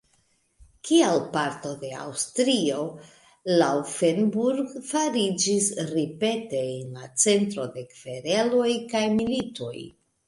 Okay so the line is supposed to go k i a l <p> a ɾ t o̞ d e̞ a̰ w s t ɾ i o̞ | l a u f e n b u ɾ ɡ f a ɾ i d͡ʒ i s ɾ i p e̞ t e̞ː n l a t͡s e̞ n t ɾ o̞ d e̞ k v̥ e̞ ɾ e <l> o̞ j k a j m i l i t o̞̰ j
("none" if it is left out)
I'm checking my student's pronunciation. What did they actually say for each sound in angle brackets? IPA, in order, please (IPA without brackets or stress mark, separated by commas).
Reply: p, l